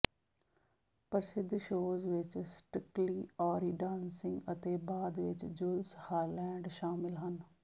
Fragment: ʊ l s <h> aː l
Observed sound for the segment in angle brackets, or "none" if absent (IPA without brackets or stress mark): h